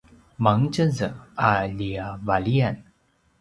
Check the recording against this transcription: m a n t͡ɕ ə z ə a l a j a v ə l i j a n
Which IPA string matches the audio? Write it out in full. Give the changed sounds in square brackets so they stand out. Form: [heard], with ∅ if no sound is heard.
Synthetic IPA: m a [ŋ] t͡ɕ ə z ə a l [i] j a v [a] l i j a n